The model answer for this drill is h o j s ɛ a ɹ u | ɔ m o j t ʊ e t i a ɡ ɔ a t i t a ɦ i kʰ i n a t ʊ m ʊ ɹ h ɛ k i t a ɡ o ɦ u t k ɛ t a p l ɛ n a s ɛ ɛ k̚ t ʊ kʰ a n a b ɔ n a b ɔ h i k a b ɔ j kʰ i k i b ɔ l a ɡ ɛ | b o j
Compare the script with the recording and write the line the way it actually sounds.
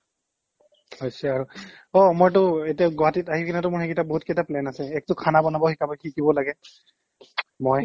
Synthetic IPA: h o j s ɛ a ɹ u | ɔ m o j t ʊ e t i a ɡ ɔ a t i t a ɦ i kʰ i n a t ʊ m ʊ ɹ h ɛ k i t a b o ɦ u t k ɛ t a p l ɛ n a s ɛ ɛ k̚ t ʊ kʰ a n a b ɔ n a b ɔ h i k a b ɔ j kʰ i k i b ɔ l a ɡ ɛ | m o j